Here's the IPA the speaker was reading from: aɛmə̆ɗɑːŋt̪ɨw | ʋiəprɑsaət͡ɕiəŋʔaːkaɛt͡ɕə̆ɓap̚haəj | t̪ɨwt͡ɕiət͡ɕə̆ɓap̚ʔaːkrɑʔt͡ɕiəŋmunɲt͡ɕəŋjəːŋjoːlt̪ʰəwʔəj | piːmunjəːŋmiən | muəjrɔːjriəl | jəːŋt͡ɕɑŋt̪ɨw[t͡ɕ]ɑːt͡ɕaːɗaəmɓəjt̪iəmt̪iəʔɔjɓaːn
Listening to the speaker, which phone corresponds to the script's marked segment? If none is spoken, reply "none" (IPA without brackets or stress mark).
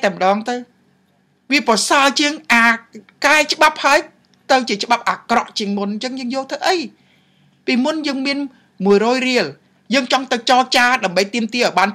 t͡ɕ